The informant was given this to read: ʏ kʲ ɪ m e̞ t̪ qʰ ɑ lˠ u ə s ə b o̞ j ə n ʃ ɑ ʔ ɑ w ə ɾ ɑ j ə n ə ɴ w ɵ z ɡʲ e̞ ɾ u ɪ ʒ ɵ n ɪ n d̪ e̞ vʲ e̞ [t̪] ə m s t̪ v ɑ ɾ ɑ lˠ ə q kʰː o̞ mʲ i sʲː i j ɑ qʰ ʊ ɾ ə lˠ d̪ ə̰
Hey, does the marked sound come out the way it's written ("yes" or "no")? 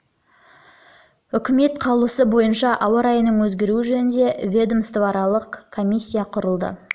no